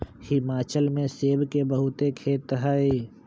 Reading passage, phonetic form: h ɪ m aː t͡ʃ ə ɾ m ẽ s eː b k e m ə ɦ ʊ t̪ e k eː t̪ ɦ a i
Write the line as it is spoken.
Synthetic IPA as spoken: h ɪ m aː t͡ʃ ə l m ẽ s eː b k e b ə ɦ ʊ t̪ e kʰ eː t̪ ɦ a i